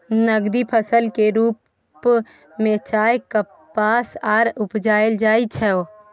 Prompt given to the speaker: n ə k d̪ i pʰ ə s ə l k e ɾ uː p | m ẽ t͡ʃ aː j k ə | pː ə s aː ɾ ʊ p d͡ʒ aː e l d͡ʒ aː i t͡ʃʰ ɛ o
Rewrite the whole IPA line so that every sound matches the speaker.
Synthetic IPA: n ə ɡ d̪ i pʰ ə s ə l k e ɾ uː p | m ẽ t͡ʃ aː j k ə | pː a s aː ɾ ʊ p d͡ʒ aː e l d͡ʒ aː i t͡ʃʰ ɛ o